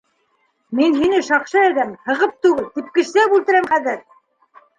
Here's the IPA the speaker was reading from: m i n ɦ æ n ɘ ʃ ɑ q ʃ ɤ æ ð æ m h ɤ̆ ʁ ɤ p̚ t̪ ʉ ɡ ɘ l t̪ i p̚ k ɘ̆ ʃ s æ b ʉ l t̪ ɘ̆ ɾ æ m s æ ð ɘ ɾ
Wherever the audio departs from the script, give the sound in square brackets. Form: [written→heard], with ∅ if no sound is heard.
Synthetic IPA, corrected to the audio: m i n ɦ [æ→i] n ɘ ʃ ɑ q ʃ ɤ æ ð æ m h ɤ̆ ʁ ɤ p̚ t̪ ʉ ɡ ɘ l t̪ i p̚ k ɘ̆ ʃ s æ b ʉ l t̪ ɘ̆ ɾ æ m [s→χ] æ ð ɘ ɾ